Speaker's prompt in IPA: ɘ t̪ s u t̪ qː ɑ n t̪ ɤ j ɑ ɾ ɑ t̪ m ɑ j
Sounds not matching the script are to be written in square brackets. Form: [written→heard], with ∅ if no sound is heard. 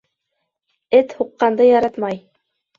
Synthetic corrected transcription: ɘ t̪ [s→h] u [t̪→∅] qː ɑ n [t̪→d̪] ɤ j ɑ ɾ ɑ t̪ m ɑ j